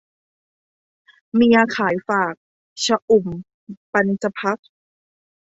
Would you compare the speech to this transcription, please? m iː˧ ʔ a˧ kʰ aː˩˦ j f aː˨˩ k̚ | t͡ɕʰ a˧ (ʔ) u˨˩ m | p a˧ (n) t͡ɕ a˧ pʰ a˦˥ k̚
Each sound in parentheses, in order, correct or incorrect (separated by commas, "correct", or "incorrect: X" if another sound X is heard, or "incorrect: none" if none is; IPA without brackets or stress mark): correct, correct